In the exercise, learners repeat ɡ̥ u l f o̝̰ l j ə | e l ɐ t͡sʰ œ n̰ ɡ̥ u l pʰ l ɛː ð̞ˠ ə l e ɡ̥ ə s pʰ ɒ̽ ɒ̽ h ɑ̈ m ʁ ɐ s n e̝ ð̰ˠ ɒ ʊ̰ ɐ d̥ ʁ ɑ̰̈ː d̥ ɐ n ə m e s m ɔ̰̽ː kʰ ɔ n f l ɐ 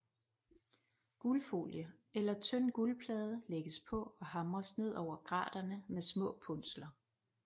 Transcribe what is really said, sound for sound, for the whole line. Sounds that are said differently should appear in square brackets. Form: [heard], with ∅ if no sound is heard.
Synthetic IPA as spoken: ɡ̥ u l f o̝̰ l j ə | e l ɐ t͡sʰ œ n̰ ɡ̥ u l pʰ l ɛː ð̞ˠ ə l e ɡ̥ ə s pʰ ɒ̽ ɒ̽ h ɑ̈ m ʁ ɐ s n e̝ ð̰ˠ ɒ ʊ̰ ɐ [ɡ̥] ʁ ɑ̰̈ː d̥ ɐ n ə m e s m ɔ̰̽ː [pʰ] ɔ n [s] l ɐ

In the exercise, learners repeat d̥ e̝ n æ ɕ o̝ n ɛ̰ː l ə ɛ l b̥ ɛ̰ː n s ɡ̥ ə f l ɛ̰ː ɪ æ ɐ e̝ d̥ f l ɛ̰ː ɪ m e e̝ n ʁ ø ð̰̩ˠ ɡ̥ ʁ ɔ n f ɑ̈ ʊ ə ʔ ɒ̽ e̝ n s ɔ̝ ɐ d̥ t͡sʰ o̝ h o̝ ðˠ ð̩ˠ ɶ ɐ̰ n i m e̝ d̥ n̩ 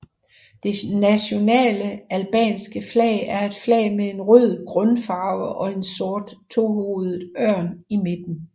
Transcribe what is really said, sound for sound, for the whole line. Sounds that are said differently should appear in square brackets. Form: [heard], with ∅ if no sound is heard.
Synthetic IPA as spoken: d̥ e̝ n æ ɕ o̝ n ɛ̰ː l ə [æ] l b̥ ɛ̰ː n s ɡ̥ ə f l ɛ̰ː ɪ æ ɐ e̝ d̥ f l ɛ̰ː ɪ m e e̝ n ʁ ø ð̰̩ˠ ɡ̥ ʁ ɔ n f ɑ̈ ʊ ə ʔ ɒ̽ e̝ n s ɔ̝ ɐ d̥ t͡sʰ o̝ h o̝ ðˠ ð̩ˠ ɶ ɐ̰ n i m e̝ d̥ n̩

